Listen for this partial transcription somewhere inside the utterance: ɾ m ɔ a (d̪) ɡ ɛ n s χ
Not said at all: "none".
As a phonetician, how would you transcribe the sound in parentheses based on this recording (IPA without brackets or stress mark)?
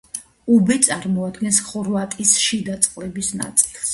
d̪